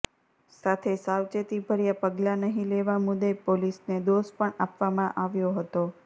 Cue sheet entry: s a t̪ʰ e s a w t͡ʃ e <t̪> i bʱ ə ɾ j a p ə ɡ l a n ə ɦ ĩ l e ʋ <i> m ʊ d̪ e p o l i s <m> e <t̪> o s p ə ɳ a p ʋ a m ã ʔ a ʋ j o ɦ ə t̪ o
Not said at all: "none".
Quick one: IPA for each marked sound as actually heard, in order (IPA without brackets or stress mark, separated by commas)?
t̪, a, n, d̪